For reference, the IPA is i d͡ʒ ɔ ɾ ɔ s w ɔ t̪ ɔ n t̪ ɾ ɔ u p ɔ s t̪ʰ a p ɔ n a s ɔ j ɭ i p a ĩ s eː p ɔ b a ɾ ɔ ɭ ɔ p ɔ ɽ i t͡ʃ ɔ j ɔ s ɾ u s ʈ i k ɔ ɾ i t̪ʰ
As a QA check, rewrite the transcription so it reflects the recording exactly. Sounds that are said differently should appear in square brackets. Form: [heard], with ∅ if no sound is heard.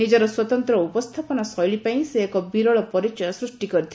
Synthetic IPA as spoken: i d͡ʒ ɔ ɾ ɔ s w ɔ t̪ ɔ n t̪ ɾ ɔ u p ɔ s t̪ʰ a p ɔ n a s ɔ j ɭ i p a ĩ s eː [k] ɔ b [i] ɾ ɔ ɭ ɔ p ɔ [ɾ] i t͡ʃ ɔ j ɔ s ɾ u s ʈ i k ɔ ɾ i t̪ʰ